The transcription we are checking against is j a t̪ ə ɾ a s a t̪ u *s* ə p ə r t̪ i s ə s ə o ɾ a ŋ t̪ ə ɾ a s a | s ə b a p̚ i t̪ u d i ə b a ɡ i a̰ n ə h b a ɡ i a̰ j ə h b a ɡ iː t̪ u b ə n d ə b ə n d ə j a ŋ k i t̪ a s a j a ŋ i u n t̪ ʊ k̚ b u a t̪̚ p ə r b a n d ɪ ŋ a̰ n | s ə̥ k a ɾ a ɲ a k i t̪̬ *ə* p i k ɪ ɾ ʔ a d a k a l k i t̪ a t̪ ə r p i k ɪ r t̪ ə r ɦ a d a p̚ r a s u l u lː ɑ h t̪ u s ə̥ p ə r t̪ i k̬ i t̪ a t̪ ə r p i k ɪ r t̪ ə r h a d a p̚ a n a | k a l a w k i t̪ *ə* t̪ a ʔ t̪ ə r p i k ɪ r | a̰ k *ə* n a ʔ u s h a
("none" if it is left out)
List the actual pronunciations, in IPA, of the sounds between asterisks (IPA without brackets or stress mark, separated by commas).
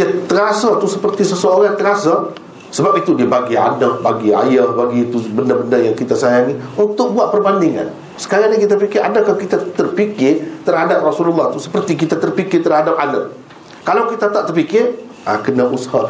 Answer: s, a, a, ə